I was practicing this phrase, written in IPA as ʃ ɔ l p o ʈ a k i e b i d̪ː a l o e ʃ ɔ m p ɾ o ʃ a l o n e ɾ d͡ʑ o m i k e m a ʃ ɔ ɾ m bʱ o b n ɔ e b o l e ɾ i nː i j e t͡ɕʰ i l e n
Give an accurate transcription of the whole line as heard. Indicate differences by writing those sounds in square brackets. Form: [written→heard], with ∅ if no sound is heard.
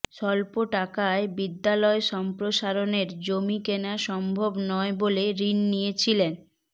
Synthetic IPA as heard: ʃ ɔ l p o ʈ a k [i→a] e b i d̪ː a l [o→ɔ] e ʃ ɔ m p ɾ o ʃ a [l→ɾ] o n e ɾ d͡ʑ o m i k e [m→n] a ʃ ɔ [ɾ→∅] m bʱ o b n ɔ e b o l e ɾ i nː i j e t͡ɕʰ i l e n